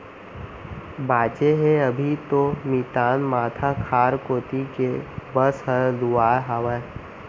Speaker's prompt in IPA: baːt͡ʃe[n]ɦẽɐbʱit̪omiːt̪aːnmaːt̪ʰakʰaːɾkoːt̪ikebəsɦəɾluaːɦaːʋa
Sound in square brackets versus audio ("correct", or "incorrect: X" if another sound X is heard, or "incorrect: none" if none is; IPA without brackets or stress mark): incorrect: none